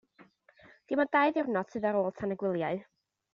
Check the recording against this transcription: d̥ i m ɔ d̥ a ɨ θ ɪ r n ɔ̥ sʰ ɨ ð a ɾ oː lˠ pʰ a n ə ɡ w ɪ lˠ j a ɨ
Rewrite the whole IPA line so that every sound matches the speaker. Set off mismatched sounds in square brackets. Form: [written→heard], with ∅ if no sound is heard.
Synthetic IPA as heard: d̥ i m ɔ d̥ a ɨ [θ→ð] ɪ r n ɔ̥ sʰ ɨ ð a ɾ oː lˠ [pʰ→tʰ] a n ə ɡ w ɪ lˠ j a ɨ